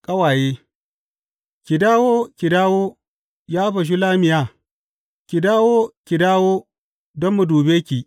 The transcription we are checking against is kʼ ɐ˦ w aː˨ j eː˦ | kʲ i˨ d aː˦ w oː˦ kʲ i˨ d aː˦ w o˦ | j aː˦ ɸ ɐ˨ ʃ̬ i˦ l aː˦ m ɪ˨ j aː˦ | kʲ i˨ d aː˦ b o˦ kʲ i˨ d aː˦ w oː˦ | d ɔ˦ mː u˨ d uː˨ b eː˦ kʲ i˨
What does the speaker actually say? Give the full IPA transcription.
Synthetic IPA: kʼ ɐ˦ w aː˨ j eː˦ | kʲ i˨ d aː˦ w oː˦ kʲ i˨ d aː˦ w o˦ | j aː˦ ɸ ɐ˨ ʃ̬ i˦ l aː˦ m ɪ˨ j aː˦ | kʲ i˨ d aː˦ w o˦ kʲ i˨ d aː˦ w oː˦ | d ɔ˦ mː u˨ d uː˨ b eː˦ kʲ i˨